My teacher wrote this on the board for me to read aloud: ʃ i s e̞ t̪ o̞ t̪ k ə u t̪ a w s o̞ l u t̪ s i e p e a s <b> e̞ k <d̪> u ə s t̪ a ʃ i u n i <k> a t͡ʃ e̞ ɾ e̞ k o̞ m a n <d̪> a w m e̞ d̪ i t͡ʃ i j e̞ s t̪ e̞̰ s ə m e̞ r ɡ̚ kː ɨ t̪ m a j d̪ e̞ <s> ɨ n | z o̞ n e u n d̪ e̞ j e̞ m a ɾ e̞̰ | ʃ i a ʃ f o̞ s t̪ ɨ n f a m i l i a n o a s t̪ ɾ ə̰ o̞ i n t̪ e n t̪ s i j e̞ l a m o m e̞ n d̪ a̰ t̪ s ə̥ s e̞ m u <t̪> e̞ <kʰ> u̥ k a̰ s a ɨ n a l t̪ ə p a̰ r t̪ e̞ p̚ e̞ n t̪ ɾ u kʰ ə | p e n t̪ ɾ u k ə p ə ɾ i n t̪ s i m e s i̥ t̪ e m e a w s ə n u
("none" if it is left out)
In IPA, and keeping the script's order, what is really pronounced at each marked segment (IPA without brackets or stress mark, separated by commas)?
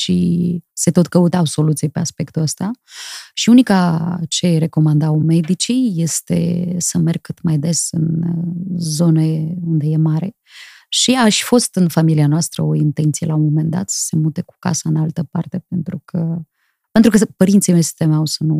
p, t̪, k, d̪, s, t̪, k